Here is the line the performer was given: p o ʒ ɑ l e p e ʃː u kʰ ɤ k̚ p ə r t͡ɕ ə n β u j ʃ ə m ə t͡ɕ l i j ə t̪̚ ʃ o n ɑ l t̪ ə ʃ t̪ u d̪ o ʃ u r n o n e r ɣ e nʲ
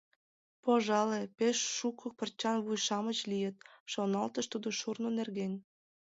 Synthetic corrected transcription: p o ʒ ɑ l e p e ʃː u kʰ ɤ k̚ p ə r t͡ɕ ɑ n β u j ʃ ɑ m ə t͡ɕ l i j ə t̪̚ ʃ o n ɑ l t̪ ə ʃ t̪ u d̪ o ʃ u r n o n e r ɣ e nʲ